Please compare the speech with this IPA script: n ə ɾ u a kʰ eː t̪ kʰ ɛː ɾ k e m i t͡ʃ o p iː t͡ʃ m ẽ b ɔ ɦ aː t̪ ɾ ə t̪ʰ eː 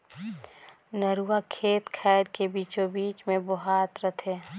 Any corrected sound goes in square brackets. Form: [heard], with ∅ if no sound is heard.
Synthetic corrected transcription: n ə ɾ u a kʰ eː t̪ kʰ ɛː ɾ k e [b] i t͡ʃ o [b] iː t͡ʃ m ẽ b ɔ ɦ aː t̪ ɾ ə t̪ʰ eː